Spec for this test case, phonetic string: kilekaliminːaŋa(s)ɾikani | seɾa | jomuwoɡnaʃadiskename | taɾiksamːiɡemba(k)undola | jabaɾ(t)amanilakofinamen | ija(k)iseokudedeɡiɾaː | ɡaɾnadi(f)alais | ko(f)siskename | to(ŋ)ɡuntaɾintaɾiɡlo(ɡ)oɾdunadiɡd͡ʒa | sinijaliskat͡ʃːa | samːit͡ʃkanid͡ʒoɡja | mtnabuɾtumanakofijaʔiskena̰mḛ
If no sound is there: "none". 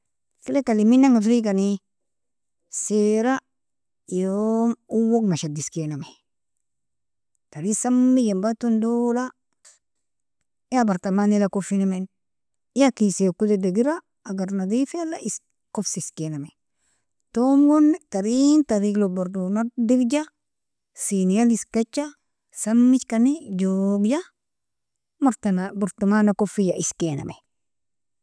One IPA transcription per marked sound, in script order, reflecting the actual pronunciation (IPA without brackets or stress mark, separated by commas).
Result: f, t, t, k, f, f, m, b